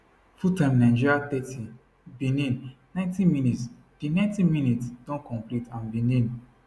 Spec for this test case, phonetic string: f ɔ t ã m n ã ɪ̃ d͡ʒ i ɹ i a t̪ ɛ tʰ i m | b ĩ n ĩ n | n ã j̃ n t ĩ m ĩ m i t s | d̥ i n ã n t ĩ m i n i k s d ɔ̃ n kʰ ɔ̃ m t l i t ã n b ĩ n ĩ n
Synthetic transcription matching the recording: f u t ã m n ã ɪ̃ d͡ʒ i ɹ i a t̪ ɛ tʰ i | b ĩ n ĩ n | n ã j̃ n t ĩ m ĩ n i t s | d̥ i n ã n t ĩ m i n i t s d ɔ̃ n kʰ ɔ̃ m p l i t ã n b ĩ n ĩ n